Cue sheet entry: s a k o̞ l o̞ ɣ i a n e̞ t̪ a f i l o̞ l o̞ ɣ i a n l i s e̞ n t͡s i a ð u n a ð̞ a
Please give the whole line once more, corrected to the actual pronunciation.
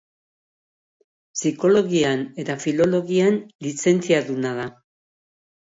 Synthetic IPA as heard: s i k o̞ l o̞ ɣ i a n e̞ t̪ a f i l o̞ l o̞ ɣ i a n l i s e̞ n t͡s i a ð u n a ð̞ a